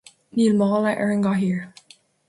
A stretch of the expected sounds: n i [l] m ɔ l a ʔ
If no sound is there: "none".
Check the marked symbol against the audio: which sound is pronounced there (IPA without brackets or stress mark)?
l